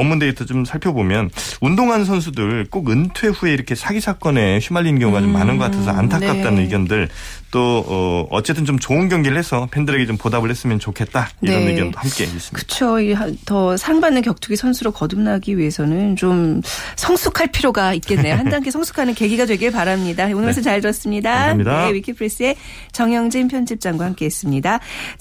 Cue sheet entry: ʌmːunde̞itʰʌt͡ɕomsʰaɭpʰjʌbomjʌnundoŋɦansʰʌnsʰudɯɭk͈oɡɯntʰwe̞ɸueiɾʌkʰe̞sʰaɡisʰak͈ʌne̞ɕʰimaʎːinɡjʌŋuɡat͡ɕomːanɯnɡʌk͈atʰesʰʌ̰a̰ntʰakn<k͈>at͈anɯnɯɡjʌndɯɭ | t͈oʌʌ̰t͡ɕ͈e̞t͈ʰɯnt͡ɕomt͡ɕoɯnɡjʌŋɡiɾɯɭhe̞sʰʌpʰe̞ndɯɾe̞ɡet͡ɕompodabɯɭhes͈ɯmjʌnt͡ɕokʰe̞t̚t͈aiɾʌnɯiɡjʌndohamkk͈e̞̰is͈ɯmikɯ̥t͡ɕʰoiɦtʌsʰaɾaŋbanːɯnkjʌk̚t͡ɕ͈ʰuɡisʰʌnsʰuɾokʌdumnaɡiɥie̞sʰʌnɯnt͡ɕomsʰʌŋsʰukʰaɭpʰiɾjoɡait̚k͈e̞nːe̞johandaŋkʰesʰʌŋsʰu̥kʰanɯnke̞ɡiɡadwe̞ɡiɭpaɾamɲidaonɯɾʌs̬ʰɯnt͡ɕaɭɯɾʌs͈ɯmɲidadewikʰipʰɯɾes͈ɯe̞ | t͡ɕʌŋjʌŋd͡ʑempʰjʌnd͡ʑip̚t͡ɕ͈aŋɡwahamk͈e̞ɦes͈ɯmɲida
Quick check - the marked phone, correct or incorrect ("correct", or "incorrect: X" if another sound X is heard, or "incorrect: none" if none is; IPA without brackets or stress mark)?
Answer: correct